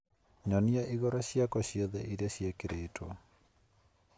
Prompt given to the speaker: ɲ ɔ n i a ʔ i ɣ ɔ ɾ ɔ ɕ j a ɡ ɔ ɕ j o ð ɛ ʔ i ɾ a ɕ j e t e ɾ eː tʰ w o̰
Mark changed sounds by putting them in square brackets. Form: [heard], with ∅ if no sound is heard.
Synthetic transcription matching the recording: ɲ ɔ n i a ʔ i ɣ ɔ ɾ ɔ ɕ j a [k] ɔ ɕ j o ð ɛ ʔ i ɾ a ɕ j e [k] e ɾ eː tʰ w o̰

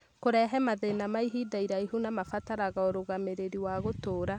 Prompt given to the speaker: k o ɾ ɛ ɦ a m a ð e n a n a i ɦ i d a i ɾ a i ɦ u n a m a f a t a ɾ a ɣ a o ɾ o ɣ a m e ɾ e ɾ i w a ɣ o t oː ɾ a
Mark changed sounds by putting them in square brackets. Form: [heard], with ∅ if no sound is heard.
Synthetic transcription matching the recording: k o ɾ ɛ ɦ [ɛ] m a ð e n a [m] a i ɦ i d a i ɾ a i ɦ u n a m a f a t a ɾ a ɣ a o ɾ o ɣ a m e ɾ e ɾ i w a ɣ o t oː ɾ a

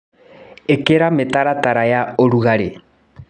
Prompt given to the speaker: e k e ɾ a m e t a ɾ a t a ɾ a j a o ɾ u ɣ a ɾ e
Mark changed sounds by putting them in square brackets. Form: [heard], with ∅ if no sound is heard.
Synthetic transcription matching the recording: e k e ɾ a m e t a ɾ a t a ɾ a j a o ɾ u ɣ a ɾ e

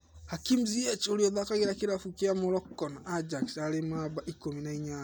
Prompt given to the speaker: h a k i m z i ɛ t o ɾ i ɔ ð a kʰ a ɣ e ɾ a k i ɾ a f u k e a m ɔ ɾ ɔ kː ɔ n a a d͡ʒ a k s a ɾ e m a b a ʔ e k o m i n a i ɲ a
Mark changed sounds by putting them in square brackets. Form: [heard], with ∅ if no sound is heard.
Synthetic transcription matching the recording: h a k i m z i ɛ [t͡ʃ] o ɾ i ɔ ð a [k] a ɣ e ɾ a k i ɾ a f u k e a m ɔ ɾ ɔ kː ɔ n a a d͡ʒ a k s a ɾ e m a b a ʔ [i] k o m i n a i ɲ a

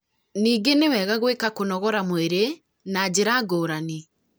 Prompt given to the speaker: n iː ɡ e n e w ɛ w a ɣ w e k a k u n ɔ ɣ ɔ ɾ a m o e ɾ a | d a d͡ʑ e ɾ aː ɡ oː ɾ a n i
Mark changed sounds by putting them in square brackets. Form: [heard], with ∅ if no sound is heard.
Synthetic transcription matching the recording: n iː ɡ e n e w ɛ [ɣ] a ɣ w e k a k [o] n ɔ ɣ ɔ ɾ a m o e ɾ [e] | [n] a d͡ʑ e ɾ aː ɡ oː ɾ a n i

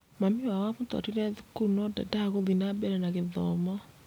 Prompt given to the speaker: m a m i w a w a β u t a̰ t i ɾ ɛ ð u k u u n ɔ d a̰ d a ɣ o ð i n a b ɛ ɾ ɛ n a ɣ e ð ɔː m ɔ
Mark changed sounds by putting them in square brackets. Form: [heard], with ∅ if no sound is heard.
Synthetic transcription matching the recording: m a m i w a w a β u t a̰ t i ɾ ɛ ð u k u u n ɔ d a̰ d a ɣ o ð i n a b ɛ ɾ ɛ n a ɣ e ð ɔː m ɔ

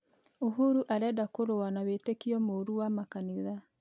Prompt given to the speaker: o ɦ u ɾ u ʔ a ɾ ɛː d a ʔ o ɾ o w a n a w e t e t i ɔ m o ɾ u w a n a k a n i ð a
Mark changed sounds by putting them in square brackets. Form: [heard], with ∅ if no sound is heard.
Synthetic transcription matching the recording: o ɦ u ɾ u ʔ a ɾ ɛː d a [k] o ɾ o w a n a w e t e [k] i ɔ m o ɾ u w a [m] a k a n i ð a

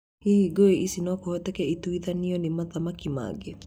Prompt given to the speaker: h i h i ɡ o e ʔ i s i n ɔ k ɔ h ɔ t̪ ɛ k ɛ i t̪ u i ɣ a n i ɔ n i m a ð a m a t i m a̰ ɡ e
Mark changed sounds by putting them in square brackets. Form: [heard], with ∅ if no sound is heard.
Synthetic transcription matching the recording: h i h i ɡ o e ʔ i s i n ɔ k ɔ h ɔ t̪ ɛ k ɛ i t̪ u i [ð] a n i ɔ n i m a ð a m a [k] i m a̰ ɡ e

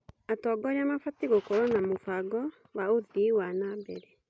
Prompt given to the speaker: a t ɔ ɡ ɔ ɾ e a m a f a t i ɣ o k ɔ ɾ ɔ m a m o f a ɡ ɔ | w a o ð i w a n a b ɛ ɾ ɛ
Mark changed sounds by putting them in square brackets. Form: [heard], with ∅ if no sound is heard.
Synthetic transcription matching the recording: a t ɔ ɡ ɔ ɾ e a m a f a t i ɣ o k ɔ ɾ ɔ [n] a m o f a ɡ ɔ | w a o ð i w a n a b ɛ ɾ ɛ

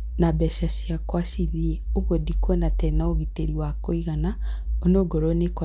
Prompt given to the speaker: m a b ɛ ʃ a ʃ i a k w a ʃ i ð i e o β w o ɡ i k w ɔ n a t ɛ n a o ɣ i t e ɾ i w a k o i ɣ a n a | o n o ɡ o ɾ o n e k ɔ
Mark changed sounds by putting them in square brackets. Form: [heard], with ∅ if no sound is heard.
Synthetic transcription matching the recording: [n] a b ɛ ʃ a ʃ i a k w a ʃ i ð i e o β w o [d] i k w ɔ n a t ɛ n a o ɣ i t e ɾ i w a k o i ɣ a n a | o n o ɡ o ɾ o n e k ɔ

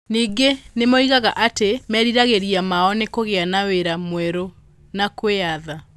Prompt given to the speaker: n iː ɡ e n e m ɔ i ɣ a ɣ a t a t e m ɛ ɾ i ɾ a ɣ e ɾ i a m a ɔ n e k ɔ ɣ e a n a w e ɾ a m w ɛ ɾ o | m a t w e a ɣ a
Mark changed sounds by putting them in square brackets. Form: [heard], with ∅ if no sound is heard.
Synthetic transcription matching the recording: n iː ɡ e n e m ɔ i ɣ a ɣ a [ʔ] a t e m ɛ ɾ i ɾ a ɣ e ɾ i a m a ɔ n e k [o] ɣ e a n a w e ɾ a m w ɛ ɾ o | [n] a [k] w e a [ð] a

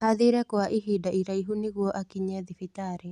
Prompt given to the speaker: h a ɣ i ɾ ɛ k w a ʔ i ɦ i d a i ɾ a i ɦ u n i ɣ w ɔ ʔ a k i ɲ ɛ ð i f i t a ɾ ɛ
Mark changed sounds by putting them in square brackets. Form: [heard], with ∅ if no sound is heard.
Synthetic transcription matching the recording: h a [ð] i ɾ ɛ k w a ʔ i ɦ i d a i ɾ a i ɦ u n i ɣ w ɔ ʔ a k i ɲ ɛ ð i f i t a ɾ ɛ

